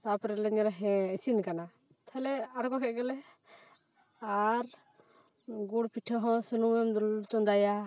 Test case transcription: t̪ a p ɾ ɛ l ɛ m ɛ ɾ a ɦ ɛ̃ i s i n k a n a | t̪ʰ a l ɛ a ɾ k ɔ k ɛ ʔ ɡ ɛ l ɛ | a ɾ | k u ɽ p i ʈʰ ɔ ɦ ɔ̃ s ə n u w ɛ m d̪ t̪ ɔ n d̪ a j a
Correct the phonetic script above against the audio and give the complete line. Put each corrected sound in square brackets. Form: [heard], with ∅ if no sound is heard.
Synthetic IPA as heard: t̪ a p ɾ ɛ l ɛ [ɲ] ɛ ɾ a ɦ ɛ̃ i s i n k a n a | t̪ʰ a l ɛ a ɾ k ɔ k ɛ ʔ ɡ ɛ l ɛ | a ɾ | [ɡ] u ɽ p i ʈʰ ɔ ɦ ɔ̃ s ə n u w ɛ m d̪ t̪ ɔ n d̪ a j a

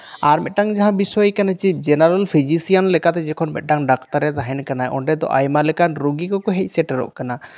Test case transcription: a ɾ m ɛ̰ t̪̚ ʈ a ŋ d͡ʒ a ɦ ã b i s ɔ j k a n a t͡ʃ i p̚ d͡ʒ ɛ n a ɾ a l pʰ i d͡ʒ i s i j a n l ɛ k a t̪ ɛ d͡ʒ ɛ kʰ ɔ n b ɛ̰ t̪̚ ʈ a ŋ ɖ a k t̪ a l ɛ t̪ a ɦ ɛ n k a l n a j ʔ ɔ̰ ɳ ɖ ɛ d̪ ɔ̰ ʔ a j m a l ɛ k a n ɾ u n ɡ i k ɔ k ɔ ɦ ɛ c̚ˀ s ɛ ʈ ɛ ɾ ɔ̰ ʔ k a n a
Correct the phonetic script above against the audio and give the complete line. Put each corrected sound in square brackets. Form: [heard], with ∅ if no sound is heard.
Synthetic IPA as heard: a ɾ m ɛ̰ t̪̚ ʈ a ŋ d͡ʒ a ɦ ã b i s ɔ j k a n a t͡ʃ i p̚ d͡ʒ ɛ n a ɾ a l pʰ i d͡ʒ i s i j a n l ɛ k a t̪ ɛ d͡ʒ ɛ kʰ ɔ n [m] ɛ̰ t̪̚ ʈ a ŋ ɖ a k t̪ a [ɾ] ɛ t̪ a ɦ ɛ n k a [∅] n a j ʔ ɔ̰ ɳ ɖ ɛ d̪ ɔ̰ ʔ a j m a l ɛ k a n ɾ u [∅] ɡ i k ɔ k ɔ ɦ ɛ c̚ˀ s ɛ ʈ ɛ ɾ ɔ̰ ʔ k a n a

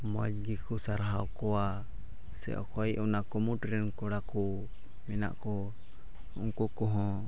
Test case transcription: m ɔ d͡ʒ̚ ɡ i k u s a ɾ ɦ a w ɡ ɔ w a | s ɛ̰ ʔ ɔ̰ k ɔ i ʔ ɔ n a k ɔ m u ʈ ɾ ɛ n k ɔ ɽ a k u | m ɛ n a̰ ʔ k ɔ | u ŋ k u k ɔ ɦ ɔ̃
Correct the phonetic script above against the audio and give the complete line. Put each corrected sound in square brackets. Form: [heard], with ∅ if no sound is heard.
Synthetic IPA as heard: m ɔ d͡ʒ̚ ɡ i k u s a ɾ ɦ a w [k] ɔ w a | s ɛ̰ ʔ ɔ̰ k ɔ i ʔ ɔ n a k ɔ m u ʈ ɾ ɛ n k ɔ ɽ a k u | m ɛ n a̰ ʔ k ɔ | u ŋ k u k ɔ ɦ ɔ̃

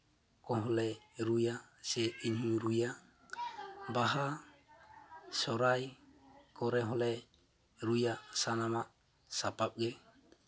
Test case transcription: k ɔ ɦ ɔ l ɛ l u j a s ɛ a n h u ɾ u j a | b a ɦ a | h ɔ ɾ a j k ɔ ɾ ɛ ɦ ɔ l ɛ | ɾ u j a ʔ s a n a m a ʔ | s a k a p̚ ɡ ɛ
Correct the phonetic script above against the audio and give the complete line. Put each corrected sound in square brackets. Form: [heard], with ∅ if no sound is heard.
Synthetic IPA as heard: k ɔ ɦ ɔ l ɛ [ɾ] u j a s ɛ [i] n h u ɾ u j a | b a ɦ a | [s] ɔ ɾ a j k ɔ ɾ ɛ ɦ ɔ l ɛ | ɾ u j a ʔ s a n a m a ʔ | s a [p] a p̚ ɡ ɛ

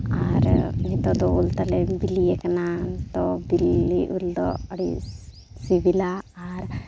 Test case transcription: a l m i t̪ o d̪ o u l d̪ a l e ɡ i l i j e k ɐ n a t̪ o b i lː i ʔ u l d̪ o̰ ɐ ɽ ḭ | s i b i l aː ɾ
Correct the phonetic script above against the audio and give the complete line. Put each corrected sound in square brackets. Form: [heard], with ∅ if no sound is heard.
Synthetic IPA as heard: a [ɾ] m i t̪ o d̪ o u l [t̪] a l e [b] i l i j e k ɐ n a t̪ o b i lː i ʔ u l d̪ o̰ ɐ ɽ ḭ | s i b i l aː ɾ

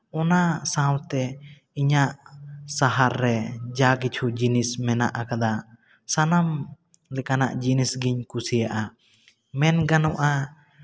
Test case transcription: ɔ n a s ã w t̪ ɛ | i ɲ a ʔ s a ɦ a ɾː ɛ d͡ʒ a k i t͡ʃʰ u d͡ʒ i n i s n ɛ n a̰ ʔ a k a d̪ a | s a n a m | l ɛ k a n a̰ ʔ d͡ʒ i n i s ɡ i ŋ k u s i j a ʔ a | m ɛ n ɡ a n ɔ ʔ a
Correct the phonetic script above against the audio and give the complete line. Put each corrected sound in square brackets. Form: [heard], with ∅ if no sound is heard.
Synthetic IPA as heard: ɔ n a s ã w t̪ ɛ | i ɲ a ʔ s a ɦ a ɾː ɛ d͡ʒ a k i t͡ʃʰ u d͡ʒ i n i s [m] ɛ n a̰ ʔ a k a d̪ a | s a n a m | l ɛ k a n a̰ ʔ d͡ʒ i n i s ɡ i [ɲ] k u s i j a ʔ a | m ɛ n ɡ a n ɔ ʔ a

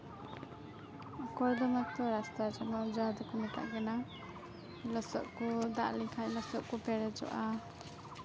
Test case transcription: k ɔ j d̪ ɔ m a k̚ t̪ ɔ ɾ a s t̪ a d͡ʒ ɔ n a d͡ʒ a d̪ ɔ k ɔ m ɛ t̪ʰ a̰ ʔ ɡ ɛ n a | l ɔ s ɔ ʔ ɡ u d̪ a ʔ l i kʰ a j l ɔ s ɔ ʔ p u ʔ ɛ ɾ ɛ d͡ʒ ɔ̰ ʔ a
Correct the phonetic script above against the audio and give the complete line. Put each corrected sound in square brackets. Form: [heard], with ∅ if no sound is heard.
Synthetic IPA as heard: k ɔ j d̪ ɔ m a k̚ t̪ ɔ ɾ a s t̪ a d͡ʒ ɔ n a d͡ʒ a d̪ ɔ k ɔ m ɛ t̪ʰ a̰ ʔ ɡ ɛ n a | l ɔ s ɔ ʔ [k] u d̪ a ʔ l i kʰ a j l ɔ s ɔ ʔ [k] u [p] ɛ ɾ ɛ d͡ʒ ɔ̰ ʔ a

